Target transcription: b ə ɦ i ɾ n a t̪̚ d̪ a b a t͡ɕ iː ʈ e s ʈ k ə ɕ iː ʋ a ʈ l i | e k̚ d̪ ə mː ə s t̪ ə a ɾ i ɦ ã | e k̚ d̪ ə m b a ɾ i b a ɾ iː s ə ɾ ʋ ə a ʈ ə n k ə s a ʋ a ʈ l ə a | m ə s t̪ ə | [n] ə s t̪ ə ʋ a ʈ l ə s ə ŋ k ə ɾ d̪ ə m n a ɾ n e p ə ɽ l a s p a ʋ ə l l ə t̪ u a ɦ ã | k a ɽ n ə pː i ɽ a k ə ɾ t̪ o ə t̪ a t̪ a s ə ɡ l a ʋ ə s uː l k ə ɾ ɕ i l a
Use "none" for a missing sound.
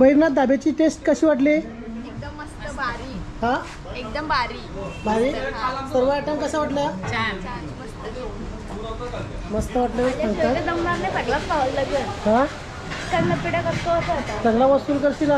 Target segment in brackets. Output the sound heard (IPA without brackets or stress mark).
m